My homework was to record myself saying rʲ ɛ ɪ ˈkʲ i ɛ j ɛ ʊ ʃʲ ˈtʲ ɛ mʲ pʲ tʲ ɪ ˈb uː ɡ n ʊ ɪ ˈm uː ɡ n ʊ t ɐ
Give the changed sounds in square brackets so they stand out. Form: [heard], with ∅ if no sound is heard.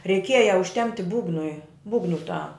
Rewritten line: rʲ ɛ ɪ ˈkʲ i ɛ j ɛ ʊ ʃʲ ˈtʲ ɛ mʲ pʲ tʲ ɪ ˈb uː ɡ n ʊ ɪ [ˈb] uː ɡ n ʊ t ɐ